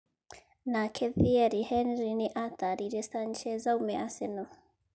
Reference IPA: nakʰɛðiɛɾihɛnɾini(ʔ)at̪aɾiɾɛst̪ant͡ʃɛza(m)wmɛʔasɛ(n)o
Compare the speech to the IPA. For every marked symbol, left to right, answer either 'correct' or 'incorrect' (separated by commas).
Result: correct, incorrect, correct